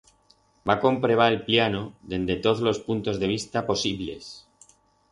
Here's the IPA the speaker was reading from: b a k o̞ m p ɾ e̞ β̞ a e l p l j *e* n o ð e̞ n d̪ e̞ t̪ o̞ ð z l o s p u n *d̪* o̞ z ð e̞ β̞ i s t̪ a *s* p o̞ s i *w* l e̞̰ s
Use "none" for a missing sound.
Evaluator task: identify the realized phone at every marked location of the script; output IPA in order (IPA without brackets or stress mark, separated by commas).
a, t̪, none, β